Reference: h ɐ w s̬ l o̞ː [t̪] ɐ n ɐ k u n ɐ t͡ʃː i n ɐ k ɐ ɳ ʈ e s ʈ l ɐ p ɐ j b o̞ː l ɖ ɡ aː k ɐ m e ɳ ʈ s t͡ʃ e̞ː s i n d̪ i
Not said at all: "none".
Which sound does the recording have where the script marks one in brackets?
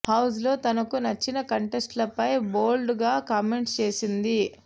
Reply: t̪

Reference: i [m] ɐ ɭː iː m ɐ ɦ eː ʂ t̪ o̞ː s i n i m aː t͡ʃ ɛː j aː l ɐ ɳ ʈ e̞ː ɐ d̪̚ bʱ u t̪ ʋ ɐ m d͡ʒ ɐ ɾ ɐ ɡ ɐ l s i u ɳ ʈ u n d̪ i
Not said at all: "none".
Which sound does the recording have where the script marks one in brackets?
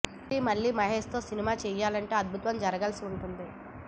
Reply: m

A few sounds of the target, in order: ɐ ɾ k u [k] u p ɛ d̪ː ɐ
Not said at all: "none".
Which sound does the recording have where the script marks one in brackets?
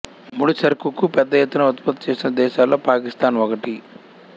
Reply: k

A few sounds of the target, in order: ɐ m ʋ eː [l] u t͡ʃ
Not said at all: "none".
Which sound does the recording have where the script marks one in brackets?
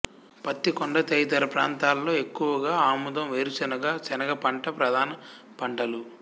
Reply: ɾ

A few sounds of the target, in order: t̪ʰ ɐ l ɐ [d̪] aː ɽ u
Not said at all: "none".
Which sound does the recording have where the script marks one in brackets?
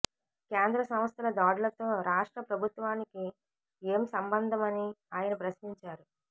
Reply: d̪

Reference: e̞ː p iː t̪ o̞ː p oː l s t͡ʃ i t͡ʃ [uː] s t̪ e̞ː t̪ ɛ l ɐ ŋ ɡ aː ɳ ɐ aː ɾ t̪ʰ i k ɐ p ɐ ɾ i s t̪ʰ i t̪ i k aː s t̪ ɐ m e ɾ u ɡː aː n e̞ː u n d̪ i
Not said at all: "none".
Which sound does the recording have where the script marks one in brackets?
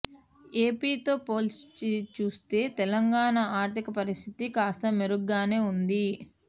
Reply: uː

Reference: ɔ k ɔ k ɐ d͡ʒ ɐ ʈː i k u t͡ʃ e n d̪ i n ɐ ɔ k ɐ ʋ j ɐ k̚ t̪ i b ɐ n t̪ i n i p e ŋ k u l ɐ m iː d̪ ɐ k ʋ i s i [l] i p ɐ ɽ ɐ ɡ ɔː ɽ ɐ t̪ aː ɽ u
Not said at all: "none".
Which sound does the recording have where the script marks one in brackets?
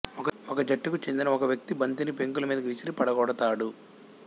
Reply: ɾ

